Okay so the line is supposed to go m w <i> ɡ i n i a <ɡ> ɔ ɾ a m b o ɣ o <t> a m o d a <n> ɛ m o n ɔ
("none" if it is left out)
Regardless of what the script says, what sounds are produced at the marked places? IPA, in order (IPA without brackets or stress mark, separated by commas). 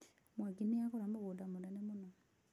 a, k, d, n